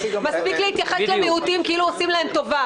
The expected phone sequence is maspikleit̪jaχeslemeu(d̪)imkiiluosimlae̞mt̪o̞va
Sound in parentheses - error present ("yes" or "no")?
yes